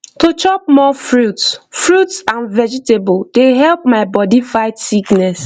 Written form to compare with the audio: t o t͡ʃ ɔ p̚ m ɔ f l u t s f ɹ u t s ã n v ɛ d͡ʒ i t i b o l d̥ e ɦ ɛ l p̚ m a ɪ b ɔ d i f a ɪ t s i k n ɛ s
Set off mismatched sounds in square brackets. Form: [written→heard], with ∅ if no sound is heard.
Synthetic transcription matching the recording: t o t͡ʃ ɔ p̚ m ɔ f [l→ɹ] u t s f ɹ u t s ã n v ɛ d͡ʒ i t [i→e] b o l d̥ e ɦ ɛ l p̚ m a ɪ b ɔ d i f a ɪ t s i k n ɛ s